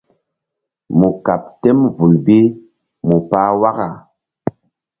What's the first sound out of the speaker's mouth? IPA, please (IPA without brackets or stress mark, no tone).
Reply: m